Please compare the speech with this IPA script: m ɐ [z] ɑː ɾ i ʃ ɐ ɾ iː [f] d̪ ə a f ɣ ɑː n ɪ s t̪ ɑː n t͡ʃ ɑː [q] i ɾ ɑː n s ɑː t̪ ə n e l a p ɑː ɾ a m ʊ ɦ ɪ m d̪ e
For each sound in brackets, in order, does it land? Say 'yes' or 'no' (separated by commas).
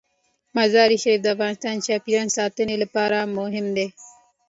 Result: yes, yes, no